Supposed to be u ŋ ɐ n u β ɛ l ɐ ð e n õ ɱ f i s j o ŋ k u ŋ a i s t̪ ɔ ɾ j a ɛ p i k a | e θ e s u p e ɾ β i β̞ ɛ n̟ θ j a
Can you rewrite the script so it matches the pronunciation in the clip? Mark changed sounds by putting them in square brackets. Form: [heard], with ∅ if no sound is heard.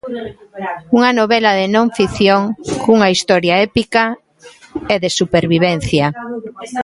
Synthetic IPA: u ŋ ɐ n [o] β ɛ l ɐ ð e n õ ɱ f i [θ] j o ŋ k u ŋ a i s t̪ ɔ ɾ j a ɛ p i k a | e [ð] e s u p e ɾ β i β̞ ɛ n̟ θ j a